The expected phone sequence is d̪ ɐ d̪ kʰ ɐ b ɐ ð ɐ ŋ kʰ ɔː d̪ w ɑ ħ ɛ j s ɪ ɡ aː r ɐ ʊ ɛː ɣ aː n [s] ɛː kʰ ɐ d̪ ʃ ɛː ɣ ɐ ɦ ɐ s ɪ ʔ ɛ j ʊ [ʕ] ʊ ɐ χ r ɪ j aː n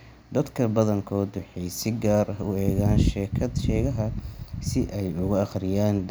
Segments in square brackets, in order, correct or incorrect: incorrect, incorrect

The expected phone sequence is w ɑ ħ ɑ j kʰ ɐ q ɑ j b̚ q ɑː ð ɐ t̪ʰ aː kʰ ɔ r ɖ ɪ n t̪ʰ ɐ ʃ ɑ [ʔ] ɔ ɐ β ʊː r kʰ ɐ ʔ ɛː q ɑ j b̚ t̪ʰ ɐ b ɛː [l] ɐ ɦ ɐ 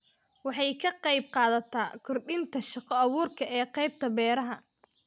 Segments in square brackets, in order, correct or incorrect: incorrect, incorrect

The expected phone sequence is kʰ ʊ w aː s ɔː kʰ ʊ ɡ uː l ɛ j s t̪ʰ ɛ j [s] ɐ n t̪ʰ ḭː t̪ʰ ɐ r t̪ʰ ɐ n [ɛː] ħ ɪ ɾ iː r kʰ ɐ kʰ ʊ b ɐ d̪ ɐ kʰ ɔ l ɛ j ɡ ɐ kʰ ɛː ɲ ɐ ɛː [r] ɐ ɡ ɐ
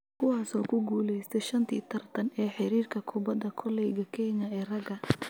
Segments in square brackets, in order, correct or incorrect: incorrect, correct, correct

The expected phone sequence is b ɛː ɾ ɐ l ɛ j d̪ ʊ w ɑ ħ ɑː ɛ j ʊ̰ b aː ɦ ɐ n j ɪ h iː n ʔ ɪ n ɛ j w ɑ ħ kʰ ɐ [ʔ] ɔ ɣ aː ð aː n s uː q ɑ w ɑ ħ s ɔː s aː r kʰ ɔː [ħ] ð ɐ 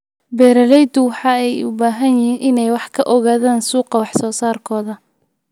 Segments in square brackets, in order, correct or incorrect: correct, incorrect

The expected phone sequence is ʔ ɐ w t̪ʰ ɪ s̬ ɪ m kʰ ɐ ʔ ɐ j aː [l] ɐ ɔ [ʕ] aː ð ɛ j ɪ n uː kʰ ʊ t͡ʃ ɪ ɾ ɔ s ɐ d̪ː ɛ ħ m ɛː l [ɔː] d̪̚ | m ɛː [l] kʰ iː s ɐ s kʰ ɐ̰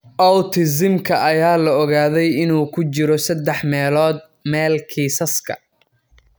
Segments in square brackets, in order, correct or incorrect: correct, incorrect, correct, correct

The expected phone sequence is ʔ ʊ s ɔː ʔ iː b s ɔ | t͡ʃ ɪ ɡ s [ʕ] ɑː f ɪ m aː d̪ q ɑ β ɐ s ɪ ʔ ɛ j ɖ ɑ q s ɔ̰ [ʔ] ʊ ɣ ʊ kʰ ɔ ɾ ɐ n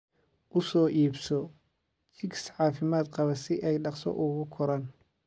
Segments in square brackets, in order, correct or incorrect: correct, correct

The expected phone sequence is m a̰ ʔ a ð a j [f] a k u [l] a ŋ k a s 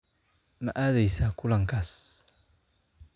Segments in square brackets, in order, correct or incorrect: incorrect, correct

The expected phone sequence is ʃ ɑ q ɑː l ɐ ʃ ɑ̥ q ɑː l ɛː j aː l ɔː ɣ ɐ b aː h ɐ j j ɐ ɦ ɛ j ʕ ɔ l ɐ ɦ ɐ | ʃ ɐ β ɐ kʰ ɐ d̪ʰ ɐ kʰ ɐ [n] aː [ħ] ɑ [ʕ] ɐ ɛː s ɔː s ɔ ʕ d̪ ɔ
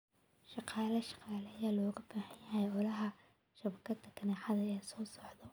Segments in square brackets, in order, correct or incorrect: correct, correct, incorrect

